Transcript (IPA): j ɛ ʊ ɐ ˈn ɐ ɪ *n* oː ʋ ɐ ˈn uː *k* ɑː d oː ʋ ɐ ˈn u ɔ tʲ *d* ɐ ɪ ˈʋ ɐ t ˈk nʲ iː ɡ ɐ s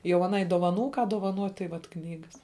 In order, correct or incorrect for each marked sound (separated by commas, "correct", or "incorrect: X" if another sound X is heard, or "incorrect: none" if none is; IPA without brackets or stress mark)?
incorrect: d, correct, incorrect: t